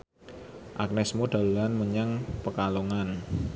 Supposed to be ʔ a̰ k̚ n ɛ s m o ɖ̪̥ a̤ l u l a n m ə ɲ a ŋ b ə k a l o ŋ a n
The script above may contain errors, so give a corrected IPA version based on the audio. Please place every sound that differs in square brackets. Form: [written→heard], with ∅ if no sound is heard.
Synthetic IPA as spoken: ʔ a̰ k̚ n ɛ s m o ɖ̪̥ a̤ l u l a n m ə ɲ a ŋ [b→p] ə k a l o ŋ a n